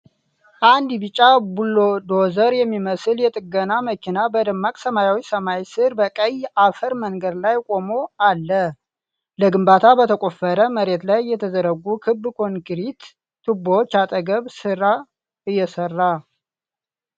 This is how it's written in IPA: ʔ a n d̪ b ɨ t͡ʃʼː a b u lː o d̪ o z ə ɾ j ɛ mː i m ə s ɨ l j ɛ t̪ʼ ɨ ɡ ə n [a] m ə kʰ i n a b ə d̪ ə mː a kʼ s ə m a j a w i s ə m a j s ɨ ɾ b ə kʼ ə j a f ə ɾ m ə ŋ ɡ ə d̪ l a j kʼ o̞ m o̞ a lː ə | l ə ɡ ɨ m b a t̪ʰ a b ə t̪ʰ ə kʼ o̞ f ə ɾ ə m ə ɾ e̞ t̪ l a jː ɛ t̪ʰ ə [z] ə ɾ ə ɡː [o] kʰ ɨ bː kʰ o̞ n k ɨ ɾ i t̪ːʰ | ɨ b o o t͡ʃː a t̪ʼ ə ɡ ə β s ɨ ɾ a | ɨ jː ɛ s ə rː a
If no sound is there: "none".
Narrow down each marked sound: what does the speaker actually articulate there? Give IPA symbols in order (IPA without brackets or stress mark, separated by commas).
a, z, u